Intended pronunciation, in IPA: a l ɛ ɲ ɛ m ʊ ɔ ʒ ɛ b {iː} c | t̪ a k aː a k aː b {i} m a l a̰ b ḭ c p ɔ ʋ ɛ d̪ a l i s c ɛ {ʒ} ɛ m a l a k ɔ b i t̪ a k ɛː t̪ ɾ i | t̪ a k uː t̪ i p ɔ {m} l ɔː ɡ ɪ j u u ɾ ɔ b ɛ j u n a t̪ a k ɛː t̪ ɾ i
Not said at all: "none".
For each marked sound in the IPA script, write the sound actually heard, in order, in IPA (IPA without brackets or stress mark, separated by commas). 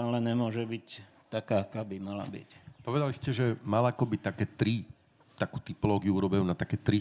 i, i, ʒ, none